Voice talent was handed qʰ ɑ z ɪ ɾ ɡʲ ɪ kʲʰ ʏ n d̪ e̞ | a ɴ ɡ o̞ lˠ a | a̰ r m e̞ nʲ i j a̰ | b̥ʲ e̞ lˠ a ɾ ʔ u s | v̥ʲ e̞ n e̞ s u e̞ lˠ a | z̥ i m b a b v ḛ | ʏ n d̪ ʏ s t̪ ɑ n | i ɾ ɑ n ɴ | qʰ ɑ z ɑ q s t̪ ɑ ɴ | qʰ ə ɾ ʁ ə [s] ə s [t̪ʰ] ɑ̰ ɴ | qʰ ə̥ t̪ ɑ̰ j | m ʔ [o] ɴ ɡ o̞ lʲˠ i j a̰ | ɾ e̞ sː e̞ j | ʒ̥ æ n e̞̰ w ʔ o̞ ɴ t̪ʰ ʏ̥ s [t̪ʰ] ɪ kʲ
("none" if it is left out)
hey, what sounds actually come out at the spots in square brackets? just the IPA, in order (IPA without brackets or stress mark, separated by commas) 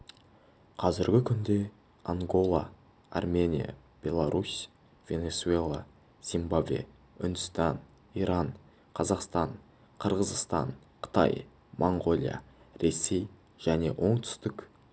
z, t̪, o, t̪